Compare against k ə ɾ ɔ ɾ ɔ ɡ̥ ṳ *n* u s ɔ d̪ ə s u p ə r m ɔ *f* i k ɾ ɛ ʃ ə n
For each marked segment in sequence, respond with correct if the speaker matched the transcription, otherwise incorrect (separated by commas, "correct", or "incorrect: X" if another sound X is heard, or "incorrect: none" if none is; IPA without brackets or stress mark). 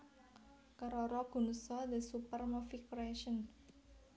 correct, correct